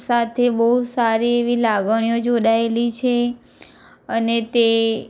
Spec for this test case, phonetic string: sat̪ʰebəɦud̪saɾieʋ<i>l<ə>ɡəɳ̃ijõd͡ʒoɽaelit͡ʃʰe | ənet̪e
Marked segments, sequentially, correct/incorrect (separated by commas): correct, incorrect